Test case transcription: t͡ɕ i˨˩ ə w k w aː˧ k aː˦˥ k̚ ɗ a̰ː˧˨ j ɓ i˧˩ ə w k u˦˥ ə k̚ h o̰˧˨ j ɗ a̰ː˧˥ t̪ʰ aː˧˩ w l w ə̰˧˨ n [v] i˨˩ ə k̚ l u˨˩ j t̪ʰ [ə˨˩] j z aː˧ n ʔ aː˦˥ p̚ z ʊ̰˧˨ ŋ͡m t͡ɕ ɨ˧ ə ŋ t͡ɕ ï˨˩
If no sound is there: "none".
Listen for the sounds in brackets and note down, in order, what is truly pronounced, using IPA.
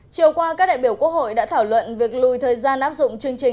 v, əː˨˩

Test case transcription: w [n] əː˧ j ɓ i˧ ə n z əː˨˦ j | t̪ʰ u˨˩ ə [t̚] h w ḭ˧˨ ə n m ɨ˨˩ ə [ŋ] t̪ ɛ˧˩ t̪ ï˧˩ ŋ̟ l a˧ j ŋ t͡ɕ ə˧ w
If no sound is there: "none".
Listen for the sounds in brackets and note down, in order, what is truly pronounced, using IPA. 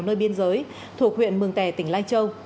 n, k̚, ŋ

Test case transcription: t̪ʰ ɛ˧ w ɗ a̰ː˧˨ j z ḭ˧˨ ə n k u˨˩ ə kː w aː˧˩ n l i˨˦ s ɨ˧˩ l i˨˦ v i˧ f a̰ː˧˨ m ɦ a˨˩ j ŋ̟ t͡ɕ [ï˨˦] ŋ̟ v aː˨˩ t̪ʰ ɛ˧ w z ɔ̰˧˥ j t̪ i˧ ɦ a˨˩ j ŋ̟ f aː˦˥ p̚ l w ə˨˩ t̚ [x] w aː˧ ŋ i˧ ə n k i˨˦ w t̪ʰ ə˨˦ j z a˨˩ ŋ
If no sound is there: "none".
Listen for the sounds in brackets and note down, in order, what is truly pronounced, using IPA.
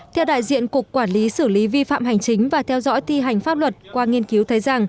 ï˨˦, k

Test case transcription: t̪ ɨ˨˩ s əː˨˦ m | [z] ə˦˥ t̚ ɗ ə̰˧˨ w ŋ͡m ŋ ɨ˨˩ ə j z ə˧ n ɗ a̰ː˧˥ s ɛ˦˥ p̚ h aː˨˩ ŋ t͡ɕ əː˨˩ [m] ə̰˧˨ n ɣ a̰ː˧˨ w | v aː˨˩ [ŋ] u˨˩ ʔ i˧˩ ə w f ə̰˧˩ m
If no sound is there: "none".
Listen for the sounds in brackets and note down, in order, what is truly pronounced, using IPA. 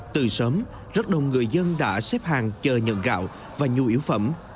z, ɲ, ɲ

